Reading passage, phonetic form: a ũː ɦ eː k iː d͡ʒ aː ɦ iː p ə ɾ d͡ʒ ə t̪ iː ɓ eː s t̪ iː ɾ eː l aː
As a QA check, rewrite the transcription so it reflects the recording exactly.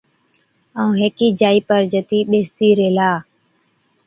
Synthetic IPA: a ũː ɦ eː k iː d͡ʒ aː iː p ə ɾ d͡ʒ ə t̪ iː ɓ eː s t̪ iː ɾ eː l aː